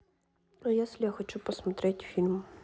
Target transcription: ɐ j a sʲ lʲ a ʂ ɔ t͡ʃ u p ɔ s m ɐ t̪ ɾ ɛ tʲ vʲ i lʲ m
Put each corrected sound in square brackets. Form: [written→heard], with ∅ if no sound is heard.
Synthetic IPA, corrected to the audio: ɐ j a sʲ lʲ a [ʂ→x] ɔ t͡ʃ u p ɔ s m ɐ t̪ ɾ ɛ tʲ [vʲ→fʲ] i lʲ m